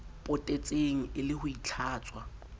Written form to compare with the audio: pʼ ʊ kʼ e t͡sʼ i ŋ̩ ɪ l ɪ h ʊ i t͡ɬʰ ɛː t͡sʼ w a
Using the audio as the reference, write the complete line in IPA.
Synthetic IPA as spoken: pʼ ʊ tʼ e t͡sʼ e ŋ̩ ɪ l ɪ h ʊ i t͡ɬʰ aː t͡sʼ w a